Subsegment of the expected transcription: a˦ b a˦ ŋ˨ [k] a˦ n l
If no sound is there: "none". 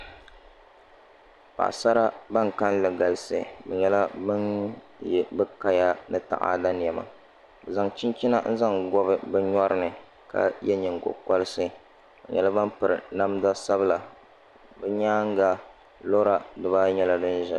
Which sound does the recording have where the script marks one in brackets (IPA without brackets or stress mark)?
k